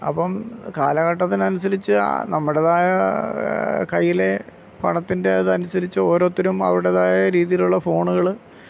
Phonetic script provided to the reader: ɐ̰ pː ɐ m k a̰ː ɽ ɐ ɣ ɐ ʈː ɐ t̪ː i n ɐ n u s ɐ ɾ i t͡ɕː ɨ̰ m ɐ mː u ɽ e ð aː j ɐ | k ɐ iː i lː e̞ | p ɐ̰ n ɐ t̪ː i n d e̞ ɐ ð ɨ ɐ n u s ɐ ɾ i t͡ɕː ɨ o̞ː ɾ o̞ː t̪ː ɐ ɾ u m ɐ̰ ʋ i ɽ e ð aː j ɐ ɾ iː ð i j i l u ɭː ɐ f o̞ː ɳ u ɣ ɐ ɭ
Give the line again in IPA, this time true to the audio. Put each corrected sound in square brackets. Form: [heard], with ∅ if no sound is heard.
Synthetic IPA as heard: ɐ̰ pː ɐ m k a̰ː [l] ɐ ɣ ɐ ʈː ɐ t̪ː i n ɐ n u s ɐ ɾ i t͡ɕː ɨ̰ [n] ɐ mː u ɽ e ð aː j ɐ | k ɐ [jː] i [l] e̞ | p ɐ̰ [ɳ] ɐ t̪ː i n d e̞ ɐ ð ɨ ɐ n u s ɐ ɾ i t͡ɕː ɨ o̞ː ɾ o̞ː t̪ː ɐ ɾ u m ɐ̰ ʋ i ɽ e ð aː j ɐ ɾ iː ð i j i l u ɭː ɐ f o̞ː ɳ u ɣ ɐ ɭ

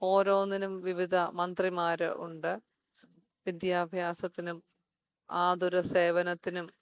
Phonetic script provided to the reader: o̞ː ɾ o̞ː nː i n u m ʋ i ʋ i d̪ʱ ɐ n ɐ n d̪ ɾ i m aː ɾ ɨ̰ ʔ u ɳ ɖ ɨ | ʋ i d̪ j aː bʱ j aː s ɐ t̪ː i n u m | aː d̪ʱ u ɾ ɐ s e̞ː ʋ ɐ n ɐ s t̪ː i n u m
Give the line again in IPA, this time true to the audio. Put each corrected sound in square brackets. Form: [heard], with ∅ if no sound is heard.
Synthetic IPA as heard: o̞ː ɾ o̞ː nː i n u m ʋ i ʋ i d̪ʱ ɐ [m] ɐ n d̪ [r] i m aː ɾ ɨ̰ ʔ u ɳ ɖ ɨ | ʋ i d̪ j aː bʱ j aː s ɐ t̪ː i n u m | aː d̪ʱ u ɾ ɐ s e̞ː ʋ ɐ n ɐ [∅] t̪ː i n u m

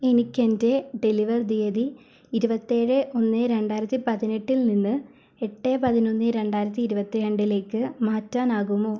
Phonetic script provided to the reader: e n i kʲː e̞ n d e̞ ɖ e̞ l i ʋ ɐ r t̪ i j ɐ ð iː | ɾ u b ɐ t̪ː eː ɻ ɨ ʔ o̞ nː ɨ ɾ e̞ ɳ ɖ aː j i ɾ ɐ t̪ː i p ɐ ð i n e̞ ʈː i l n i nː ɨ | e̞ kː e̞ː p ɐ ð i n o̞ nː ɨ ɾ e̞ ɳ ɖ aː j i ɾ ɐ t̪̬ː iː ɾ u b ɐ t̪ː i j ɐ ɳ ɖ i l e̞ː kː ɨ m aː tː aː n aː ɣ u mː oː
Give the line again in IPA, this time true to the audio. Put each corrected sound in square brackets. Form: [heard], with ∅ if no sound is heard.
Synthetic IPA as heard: e n i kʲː e̞ n d e̞ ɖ e̞ l i ʋ ɐ r [d̪] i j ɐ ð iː | ɾ u b ɐ t̪ː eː ɻ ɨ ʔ o̞ nː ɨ ɾ e̞ ɳ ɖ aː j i ɾ ɐ t̪ː i p ɐ ð i n e̞ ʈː i l n i nː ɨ | e̞ [ʈː] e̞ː p ɐ ð i n o̞ nː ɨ ɾ e̞ ɳ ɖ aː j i ɾ ɐ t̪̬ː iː ɾ u b ɐ t̪ː i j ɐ ɳ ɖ i l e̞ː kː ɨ m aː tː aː n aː ɣ u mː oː

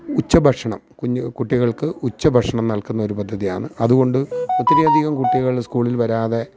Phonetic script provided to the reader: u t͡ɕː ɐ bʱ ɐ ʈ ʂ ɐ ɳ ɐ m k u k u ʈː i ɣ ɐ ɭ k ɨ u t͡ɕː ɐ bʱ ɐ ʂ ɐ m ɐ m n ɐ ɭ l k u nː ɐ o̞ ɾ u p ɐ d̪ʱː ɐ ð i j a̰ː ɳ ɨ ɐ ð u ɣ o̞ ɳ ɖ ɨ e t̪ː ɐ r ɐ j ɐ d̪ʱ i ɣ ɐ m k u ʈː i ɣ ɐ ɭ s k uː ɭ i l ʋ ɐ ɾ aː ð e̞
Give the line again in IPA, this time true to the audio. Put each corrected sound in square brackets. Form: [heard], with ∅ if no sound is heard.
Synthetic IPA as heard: u t͡ɕː ɐ bʱ ɐ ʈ ʂ ɐ ɳ ɐ m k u k u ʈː i ɣ ɐ ɭ k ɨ u t͡ɕː ɐ bʱ ɐ ʂ ɐ [ɳ] ɐ m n ɐ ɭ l k u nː ɐ o̞ ɾ u p ɐ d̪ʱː ɐ ð i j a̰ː ɳ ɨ ɐ ð u ɣ o̞ ɳ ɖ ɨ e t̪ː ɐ [ɾ] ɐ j ɐ d̪ʱ i ɣ ɐ m k u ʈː i ɣ ɐ ɭ s k uː ɭ i l ʋ ɐ ɾ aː ð e̞

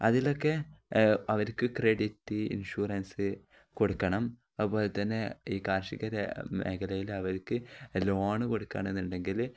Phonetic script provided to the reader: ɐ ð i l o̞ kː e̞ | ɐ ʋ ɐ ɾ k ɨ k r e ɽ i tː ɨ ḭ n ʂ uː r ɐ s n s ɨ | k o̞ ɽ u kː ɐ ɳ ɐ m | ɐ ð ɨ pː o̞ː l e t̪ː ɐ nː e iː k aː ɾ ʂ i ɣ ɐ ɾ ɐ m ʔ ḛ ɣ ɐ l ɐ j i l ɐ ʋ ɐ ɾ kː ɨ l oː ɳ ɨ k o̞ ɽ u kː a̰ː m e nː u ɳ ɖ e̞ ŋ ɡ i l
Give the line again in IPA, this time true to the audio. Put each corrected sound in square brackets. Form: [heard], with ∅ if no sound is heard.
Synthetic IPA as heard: ɐ ð i l o̞ kː e̞ | ɐ ʋ ɐ ɾ k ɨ k r e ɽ i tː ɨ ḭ n ʂ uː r ɐ [∅] n s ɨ | k o̞ ɽ u kː ɐ ɳ ɐ m | ɐ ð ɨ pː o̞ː l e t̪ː ɐ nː e iː k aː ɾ ʂ i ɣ ɐ ɾ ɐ m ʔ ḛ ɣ ɐ l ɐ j i l ɐ ʋ ɐ ɾ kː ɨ l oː ɳ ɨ k o̞ ɽ u kː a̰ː [ɳ] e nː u ɳ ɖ e̞ ŋ ɡ i l

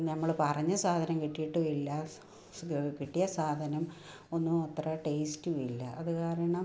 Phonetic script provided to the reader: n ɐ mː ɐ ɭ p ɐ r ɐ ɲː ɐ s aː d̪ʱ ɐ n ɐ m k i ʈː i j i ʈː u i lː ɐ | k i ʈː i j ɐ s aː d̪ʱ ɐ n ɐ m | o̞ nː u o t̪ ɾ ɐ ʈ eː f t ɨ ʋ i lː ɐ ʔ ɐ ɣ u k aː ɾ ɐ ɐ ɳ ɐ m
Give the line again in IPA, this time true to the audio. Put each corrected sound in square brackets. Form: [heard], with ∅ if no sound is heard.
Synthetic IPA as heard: n ɐ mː ɐ ɭ p ɐ r ɐ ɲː ɐ s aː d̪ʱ ɐ n ɐ m k i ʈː i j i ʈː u i lː ɐ | k i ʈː i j ɐ s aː d̪ʱ ɐ n ɐ m | o̞ nː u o t̪ [r] ɐ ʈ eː [s] t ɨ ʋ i lː ɐ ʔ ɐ [ð] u k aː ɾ ɐ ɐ ɳ ɐ m

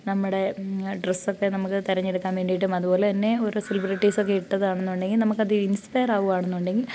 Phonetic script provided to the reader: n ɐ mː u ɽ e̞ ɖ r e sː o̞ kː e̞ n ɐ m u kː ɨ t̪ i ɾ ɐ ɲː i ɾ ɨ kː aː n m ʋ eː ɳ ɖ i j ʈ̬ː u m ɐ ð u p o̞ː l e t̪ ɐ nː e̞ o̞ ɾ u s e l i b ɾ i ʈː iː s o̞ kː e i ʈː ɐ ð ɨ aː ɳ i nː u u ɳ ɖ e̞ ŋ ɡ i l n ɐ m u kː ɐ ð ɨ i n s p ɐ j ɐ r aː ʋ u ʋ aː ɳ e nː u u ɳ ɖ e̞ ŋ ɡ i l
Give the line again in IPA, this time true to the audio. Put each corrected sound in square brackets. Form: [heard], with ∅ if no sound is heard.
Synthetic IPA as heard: n ɐ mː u ɽ e̞ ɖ r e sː o̞ kː e̞ n ɐ m u kː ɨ t̪ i ɾ ɐ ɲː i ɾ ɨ kː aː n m ʋ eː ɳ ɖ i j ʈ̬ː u m ɐ ð u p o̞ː l e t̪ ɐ nː e̞ o̞ ɾ u s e l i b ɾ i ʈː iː s o̞ kː e i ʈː ɐ ð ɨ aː ɳ [e] nː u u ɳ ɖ e̞ ŋ ɡ i l n ɐ m u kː ɐ ð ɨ i n s p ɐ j ɐ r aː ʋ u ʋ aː ɳ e nː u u ɳ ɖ e̞ ŋ ɡ i l

